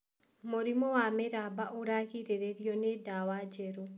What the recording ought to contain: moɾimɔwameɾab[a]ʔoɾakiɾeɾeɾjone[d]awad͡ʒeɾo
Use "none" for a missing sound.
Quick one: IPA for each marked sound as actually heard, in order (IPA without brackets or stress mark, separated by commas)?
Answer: a, d